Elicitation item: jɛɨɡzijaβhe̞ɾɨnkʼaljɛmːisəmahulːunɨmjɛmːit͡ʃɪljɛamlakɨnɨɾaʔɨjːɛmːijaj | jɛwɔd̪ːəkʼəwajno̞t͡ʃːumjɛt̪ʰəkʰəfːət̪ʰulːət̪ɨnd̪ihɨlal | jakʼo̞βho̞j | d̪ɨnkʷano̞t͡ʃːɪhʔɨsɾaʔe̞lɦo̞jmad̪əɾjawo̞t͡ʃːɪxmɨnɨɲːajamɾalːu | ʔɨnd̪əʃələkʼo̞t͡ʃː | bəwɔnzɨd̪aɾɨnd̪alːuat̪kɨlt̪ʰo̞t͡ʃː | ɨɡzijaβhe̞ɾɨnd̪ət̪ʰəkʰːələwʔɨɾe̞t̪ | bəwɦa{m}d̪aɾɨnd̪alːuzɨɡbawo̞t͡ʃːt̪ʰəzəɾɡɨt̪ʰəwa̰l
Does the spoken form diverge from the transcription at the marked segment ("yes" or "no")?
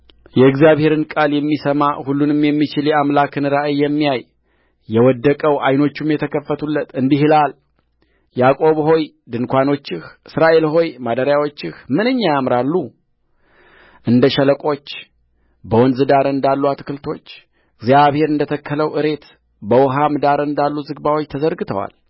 no